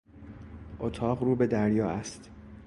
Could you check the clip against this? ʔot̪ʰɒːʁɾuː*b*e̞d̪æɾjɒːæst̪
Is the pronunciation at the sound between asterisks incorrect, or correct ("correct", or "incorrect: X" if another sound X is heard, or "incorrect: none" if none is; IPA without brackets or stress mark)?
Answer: correct